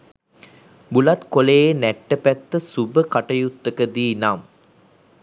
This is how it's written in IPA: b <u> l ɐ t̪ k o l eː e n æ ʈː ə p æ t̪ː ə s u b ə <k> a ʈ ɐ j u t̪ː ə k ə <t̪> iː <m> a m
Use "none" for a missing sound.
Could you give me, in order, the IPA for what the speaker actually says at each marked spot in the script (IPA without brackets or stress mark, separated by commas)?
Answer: u, k, d̪, n